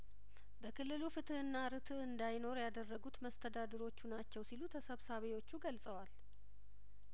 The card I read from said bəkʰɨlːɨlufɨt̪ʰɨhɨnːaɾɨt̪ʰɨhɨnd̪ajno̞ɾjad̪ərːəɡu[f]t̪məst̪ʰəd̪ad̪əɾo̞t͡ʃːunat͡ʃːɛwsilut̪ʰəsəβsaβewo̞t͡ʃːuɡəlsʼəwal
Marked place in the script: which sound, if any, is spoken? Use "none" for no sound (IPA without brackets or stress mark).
none